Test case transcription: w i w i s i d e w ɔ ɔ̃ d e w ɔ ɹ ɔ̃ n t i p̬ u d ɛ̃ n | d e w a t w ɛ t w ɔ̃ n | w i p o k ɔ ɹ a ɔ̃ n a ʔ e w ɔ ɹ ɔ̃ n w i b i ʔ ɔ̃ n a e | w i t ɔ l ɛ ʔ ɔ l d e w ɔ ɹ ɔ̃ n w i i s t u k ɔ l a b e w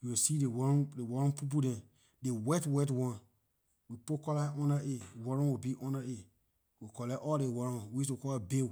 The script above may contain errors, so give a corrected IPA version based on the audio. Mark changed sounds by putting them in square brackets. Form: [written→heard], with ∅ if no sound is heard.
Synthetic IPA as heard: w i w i s i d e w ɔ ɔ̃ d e w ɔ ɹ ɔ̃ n [t→p] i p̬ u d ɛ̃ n | d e w [a→ɛ] t w ɛ t w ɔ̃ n | w i p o k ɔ [ɹ→l] a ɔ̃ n a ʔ e w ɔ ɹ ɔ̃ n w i b i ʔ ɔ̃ n a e | w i [t→k] ɔ l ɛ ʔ ɔ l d e w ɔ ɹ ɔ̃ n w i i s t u k ɔ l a b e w